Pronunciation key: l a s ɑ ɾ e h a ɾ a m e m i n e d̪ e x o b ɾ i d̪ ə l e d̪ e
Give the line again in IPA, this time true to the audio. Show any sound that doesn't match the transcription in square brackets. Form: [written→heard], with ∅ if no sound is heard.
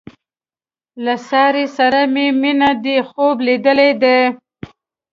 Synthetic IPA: l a s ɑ ɾ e [h→s] a ɾ a m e m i n [e→a] d̪ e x o b [ɾ→l] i d̪ ə l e d̪ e